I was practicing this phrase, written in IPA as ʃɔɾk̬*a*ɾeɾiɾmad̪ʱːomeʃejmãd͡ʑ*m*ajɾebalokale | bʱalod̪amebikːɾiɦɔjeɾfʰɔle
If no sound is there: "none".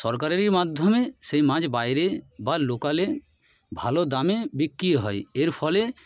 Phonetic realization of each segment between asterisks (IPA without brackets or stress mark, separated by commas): a, b